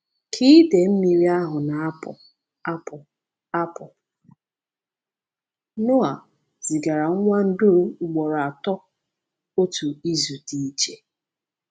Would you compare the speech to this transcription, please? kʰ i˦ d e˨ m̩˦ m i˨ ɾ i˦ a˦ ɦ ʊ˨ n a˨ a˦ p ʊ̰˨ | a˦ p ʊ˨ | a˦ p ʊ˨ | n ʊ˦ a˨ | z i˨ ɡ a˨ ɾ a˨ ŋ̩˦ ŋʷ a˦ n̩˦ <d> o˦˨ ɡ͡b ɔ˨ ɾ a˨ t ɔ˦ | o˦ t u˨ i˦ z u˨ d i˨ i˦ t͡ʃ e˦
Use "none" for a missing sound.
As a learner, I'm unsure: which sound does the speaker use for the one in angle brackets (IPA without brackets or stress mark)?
d